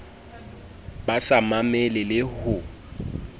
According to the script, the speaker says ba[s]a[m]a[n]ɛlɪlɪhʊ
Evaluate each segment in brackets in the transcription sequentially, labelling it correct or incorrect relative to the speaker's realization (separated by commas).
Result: correct, correct, incorrect